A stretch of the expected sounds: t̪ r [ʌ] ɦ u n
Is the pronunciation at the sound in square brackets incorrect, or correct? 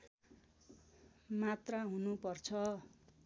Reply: incorrect